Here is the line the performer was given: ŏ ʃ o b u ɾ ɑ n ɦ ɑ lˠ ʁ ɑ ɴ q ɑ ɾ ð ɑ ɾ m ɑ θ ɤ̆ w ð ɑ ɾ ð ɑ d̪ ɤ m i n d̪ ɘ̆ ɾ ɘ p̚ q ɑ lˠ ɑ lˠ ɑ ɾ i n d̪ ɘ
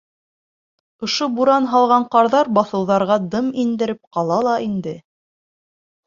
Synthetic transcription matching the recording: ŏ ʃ o b u ɾ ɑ n ɦ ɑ lˠ ʁ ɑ ɴ q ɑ ɾ ð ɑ ɾ b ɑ θ ɤ̆ w ð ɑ ɾ ʁ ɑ d̪ ɤ m i n d̪ ɘ̆ ɾ ɘ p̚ q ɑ lˠ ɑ lˠ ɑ i n d̪ ɘ